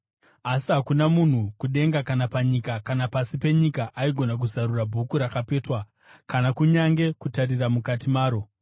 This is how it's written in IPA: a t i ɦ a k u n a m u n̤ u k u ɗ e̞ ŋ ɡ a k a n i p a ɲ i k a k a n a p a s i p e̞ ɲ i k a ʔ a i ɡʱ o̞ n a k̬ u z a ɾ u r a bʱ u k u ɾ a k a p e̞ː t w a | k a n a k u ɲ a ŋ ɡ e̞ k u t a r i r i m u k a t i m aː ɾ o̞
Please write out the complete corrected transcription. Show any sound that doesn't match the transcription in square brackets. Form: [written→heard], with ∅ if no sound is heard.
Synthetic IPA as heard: a [t→s] i ɦ a k u n a m u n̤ u k u ɗ e̞ ŋ ɡ a k a n [i→a] p a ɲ i k a k a n a p a s i p e̞ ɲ i k a ʔ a i ɡʱ o̞ n a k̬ u z a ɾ u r a bʱ u k u ɾ a k a p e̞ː t w a | k a n a k u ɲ a ŋ ɡ e̞ k u t a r i r [i→a] m u k a t i m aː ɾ o̞

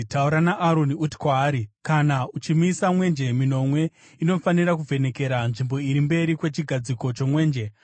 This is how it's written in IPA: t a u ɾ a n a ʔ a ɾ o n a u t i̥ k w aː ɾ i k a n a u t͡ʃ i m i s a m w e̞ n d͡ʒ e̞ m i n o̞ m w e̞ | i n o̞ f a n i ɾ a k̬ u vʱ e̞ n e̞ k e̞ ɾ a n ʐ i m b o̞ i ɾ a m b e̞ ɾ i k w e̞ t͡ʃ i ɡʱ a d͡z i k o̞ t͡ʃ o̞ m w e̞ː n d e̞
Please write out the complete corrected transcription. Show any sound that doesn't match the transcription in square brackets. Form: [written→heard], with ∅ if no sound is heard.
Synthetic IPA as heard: t a u ɾ a n a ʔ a ɾ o n [a→i] u t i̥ k w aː ɾ i k a n a u t͡ʃ i m i s a m w e̞ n d͡ʒ e̞ m i n o̞ m w e̞ | i n o̞ f a n i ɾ a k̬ u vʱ e̞ n e̞ k e̞ ɾ a n ʐ i m b o̞ i ɾ [a→i] m b e̞ ɾ i k w e̞ t͡ʃ i ɡʱ a d͡z i k o̞ t͡ʃ o̞ m w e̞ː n [d→d͡ʒ] e̞

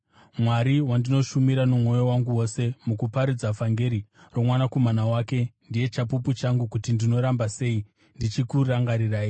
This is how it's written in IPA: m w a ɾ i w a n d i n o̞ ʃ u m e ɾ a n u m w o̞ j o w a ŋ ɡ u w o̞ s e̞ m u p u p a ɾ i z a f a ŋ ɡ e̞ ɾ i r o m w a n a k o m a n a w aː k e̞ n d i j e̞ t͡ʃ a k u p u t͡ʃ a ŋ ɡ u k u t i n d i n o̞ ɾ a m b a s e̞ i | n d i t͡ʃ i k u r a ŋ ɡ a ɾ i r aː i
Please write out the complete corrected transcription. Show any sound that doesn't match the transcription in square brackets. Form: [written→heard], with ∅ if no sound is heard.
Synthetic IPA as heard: m w a ɾ i w a n d i n o̞ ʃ u m [e→i] ɾ a n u m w o̞ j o w a ŋ ɡ u w o̞ s e̞ m u [p→k] u p a ɾ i [z→d͡z] a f a ŋ ɡ e̞ ɾ i r o m w a n a k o m a n a w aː k e̞ n d i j e̞ t͡ʃ a [k→p] u p u t͡ʃ a ŋ ɡ u k u t i n d i n o̞ ɾ a m b a s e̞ i | n d i t͡ʃ i k u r a ŋ ɡ a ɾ i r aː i

